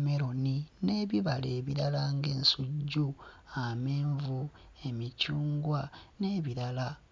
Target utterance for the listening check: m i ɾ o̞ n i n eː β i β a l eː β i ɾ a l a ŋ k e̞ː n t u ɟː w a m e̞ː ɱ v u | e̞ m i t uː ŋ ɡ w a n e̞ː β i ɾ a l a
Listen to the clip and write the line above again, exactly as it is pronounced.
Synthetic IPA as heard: m e ɾ o̞ n i n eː β i β a l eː β i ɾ a l a ŋ ɡ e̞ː n s u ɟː u a m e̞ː ɱ v u | e̞ m i c uː ŋ ɡ w a n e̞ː β i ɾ a l a